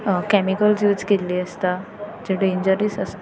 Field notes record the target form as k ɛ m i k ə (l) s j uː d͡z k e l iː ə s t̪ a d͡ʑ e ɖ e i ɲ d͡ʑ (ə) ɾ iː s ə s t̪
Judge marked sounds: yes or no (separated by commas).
yes, yes